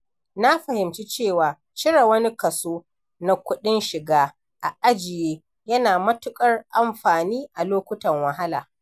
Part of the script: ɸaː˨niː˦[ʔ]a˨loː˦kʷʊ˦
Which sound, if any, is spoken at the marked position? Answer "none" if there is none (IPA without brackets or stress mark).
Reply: ʔ